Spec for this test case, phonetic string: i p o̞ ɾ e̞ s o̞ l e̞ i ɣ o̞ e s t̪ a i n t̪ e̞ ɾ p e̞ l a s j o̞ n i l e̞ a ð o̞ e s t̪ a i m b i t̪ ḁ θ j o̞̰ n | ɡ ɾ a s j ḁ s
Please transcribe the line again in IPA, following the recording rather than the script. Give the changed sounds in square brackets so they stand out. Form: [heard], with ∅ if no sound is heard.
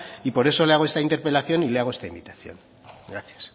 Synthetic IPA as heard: i p o̞ ɾ e̞ s o̞ l e̞ [a] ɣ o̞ e s t̪ a i n t̪ e̞ ɾ p e̞ l a [θ] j o̞ n i l e̞ a [ɣ] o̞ e s t̪ a i m b i t̪ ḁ θ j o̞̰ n | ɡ ɾ a [θ] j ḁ s